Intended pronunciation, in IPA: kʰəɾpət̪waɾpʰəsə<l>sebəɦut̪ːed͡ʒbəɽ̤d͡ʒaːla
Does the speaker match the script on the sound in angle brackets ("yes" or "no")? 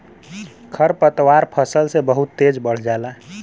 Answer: yes